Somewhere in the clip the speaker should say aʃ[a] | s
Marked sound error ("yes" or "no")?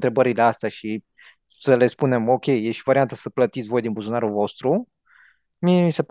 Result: yes